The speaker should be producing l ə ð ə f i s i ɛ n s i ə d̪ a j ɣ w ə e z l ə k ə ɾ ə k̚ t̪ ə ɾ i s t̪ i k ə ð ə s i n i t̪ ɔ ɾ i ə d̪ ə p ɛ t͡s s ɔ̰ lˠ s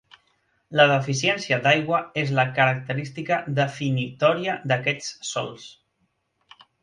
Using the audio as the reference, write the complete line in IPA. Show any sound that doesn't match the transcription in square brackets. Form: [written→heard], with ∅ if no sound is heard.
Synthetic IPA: l ə ð ə f i s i ɛ n s i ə d̪ a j ɣ w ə e z l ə k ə ɾ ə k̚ t̪ ə ɾ i s t̪ i k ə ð ə [s→f] i n i t̪ ɔ ɾ i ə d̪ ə [p→k] ɛ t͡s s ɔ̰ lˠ s